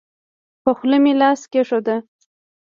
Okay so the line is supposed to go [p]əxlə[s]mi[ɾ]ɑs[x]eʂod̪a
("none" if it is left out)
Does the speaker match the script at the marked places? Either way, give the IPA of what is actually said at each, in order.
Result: p, none, l, k

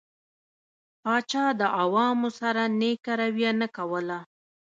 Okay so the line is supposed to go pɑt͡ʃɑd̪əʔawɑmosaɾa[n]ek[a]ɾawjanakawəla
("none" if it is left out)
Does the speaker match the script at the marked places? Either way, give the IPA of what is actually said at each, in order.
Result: n, a

